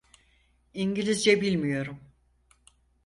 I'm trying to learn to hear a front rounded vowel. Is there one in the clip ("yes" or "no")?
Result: no